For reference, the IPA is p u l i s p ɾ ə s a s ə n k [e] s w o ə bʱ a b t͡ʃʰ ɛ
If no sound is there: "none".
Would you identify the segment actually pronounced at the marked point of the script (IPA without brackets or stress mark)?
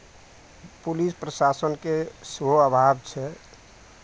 e